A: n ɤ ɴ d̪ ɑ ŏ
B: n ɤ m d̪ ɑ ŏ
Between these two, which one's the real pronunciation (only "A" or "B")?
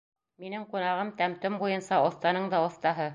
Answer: A